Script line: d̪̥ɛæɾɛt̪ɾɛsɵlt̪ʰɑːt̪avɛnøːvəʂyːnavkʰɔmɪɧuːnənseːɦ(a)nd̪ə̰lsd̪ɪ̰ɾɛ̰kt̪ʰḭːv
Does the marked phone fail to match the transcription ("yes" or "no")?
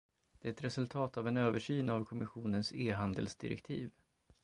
no